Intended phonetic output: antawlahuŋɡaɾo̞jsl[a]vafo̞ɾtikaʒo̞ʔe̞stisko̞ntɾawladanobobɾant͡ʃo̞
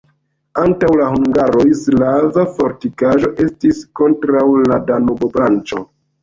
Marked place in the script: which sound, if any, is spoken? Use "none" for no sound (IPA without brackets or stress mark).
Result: a